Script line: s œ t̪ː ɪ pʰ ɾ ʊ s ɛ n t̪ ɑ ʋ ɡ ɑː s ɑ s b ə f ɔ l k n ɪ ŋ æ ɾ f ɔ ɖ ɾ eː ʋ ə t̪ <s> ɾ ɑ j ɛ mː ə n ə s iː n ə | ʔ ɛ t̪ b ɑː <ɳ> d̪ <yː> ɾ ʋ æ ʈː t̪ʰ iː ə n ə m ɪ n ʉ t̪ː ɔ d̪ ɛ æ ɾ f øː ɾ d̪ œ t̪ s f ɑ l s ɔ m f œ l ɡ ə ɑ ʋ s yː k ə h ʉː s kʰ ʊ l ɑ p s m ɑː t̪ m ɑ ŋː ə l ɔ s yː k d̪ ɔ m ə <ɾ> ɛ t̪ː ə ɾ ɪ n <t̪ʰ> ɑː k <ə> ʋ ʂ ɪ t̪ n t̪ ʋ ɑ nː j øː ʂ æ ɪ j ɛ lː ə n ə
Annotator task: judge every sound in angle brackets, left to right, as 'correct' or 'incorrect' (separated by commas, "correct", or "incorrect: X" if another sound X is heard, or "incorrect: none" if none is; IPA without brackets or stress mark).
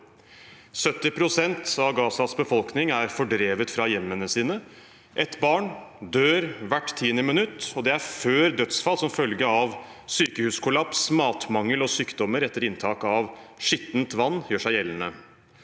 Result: incorrect: f, correct, incorrect: øː, correct, correct, incorrect: ɑ